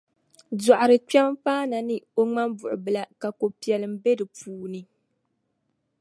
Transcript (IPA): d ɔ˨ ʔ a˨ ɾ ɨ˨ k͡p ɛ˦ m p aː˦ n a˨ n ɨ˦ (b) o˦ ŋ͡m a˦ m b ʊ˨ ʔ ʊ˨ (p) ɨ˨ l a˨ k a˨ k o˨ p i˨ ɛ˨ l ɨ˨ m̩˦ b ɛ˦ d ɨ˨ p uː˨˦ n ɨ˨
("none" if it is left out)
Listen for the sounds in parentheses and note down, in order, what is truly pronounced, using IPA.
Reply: none, b

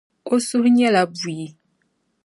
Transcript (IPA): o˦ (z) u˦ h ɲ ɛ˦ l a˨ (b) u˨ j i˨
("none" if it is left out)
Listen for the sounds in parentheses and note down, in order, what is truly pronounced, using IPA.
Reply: s, b

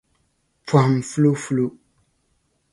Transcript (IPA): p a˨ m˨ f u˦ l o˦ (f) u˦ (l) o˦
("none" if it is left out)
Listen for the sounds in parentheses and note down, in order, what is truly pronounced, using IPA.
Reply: f, l

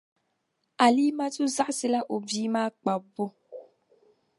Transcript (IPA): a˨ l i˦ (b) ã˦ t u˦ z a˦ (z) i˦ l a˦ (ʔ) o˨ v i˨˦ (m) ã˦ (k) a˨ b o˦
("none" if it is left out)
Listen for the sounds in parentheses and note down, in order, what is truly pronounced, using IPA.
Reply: m, s, ʔ, m, k͡p

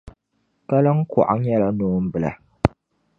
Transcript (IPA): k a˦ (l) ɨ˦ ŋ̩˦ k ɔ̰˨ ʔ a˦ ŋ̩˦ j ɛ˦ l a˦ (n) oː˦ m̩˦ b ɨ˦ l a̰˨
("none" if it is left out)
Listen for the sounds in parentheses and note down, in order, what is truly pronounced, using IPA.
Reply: l, n

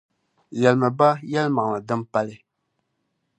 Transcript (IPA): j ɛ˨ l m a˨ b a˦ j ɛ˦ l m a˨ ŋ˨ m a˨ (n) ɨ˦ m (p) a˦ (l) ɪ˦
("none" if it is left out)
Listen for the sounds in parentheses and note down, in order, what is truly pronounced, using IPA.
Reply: d, p, l

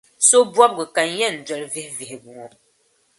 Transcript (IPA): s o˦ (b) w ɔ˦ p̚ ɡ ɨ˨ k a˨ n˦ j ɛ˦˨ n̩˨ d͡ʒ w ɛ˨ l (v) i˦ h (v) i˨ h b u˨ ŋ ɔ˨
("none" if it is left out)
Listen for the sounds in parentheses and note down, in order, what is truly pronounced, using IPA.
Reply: b, v, v

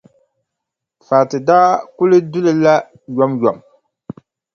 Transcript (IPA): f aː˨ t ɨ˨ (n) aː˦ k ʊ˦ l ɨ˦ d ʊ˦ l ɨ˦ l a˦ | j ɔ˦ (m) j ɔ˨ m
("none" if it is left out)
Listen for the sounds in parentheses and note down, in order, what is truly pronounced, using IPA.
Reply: d, m

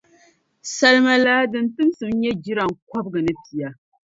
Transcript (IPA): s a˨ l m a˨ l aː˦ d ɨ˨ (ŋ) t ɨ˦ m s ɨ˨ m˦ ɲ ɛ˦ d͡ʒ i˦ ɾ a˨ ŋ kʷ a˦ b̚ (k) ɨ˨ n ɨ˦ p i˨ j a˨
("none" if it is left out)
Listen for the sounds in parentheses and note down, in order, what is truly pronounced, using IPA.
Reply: n, ɡ

